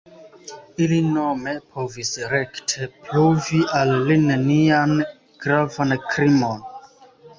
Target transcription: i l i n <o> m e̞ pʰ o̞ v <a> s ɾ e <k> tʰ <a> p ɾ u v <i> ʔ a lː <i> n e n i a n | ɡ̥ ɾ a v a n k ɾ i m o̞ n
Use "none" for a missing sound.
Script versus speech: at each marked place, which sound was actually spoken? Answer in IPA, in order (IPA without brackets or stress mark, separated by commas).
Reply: o, i, k, e, i, i